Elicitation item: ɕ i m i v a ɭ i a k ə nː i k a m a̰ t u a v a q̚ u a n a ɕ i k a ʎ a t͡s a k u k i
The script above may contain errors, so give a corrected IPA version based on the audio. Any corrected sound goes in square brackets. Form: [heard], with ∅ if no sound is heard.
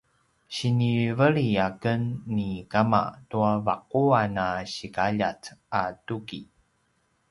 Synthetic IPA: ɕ i [n] i v [ə] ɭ i a k ə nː i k a m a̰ t u a v a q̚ u a n a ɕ i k a ʎ a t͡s a [t] u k i